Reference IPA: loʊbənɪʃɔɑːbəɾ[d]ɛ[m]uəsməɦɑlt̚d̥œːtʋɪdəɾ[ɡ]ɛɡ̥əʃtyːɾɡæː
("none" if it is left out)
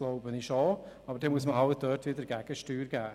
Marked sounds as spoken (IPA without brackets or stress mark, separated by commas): d, m, ɡ